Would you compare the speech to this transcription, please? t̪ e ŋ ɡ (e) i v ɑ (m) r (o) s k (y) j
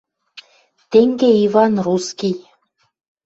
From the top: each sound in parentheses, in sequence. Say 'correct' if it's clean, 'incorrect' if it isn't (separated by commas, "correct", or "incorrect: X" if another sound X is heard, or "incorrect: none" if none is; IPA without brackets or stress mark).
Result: correct, incorrect: n, incorrect: u, incorrect: i